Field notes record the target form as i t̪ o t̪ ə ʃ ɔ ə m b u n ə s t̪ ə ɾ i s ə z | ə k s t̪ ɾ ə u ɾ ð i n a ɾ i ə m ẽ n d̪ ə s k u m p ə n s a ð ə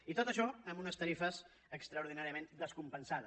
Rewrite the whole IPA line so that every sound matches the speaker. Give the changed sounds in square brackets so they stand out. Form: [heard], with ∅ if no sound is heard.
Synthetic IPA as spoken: i t̪ o t̪ ə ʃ ɔ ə m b u n ə s t̪ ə ɾ i [f] ə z | ə k s t̪ ɾ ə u ɾ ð i n a ɾ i ə m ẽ n d̪ ə s k u m p ə n s a ð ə